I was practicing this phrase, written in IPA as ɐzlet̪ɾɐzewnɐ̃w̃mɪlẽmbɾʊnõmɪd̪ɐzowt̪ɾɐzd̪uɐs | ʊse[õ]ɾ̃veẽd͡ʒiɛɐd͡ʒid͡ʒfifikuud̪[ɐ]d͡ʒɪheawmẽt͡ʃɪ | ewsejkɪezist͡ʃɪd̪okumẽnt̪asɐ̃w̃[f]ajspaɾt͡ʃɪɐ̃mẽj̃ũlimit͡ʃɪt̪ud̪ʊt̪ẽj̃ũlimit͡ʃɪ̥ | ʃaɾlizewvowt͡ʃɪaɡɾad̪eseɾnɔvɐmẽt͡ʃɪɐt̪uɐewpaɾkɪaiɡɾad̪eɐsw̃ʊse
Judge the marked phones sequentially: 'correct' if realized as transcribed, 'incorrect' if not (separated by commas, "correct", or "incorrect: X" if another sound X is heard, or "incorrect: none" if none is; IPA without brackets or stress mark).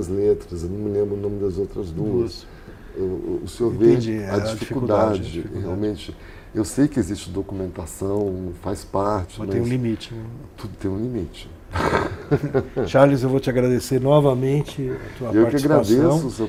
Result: incorrect: o, incorrect: a, correct